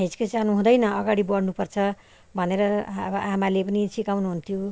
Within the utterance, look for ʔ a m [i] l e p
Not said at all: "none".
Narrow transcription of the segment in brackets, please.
a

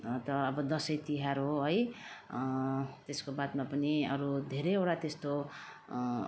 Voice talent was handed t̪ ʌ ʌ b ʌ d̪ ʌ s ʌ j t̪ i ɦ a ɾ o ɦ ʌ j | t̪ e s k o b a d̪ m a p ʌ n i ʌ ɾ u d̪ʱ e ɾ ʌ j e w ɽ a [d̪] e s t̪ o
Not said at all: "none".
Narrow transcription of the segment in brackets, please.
t̪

